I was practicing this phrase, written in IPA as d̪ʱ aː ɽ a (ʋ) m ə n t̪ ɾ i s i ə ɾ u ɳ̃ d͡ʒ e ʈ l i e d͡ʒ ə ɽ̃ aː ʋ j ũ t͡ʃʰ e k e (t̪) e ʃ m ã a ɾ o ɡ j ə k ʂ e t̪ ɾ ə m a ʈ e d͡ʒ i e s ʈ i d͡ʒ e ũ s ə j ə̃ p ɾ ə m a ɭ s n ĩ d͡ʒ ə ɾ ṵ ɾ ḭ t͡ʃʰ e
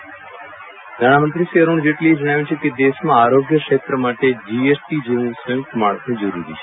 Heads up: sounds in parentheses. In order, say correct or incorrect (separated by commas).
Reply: incorrect, incorrect